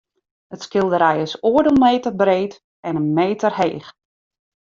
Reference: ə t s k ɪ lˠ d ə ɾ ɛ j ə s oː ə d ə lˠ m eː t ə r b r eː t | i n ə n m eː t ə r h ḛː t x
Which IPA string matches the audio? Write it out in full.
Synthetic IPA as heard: ə t s k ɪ lˠ d ə ɾ ɛ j ə s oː ə d ə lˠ m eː t ə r b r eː t | ɛ n ə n m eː t ə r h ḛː x